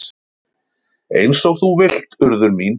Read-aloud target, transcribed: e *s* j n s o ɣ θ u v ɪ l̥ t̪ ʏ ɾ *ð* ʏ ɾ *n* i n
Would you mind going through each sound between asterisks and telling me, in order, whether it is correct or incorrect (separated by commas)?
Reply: incorrect, correct, incorrect